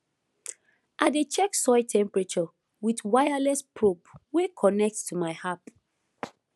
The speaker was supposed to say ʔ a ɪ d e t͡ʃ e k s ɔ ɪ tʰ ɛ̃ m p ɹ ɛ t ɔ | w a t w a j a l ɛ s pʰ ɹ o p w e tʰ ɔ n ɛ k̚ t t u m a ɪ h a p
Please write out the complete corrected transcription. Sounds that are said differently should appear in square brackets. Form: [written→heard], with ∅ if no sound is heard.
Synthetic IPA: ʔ a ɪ d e t͡ʃ [e→ɛ] k s ɔ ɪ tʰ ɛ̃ m p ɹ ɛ [t→t͡ʃ] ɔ | w [a→i] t w a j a l ɛ s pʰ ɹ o p w e [tʰ→kʰ] ɔ n ɛ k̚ t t u m a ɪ h a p